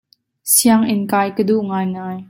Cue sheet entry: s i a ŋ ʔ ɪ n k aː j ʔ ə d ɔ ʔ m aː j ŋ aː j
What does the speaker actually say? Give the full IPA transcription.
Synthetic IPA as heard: s i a ŋ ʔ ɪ n k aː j k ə d u ʔ ŋ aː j ŋ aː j